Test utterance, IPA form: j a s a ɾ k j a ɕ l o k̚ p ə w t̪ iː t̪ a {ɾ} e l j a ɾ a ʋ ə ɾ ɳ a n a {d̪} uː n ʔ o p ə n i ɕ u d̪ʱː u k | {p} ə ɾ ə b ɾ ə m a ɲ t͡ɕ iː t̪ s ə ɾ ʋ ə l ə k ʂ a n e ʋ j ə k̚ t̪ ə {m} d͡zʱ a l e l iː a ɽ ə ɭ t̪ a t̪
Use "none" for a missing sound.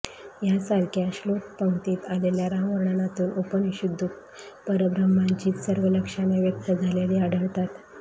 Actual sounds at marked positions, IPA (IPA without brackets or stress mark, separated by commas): l, t̪, p, none